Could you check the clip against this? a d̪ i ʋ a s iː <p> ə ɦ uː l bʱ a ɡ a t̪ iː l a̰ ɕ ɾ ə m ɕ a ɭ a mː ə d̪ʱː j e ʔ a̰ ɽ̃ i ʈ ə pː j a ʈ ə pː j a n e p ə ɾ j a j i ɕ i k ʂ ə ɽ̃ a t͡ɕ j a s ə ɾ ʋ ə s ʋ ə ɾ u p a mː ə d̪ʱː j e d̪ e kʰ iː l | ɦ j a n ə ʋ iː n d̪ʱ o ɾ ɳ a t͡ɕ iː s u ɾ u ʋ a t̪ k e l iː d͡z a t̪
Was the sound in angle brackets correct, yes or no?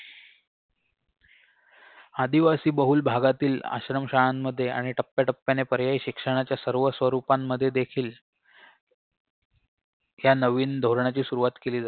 no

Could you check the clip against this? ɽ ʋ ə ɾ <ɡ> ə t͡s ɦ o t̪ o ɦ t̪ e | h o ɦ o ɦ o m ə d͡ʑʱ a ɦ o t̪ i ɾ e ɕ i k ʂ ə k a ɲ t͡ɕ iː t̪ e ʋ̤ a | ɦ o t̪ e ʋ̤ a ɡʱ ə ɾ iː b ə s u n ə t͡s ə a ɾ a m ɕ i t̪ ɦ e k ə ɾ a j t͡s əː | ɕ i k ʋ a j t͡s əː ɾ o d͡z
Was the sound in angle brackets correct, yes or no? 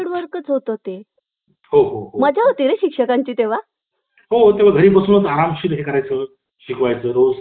no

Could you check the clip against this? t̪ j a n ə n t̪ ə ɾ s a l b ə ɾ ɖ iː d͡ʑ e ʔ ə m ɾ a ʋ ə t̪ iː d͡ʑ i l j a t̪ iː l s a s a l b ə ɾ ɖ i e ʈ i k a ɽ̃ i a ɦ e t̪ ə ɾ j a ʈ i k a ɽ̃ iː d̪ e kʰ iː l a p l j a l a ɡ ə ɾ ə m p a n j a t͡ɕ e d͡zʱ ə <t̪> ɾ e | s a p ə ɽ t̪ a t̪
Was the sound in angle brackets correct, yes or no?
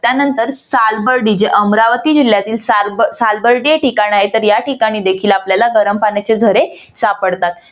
no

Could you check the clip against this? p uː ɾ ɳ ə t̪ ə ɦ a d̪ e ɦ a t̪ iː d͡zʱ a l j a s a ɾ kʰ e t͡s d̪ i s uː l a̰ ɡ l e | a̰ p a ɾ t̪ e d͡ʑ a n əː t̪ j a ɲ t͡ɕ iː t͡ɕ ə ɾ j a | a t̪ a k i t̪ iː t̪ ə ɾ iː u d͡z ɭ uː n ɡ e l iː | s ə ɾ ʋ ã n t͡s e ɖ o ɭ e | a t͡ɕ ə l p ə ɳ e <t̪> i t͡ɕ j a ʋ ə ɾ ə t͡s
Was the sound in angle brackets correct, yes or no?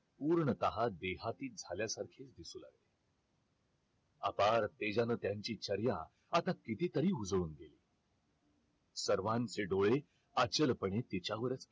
yes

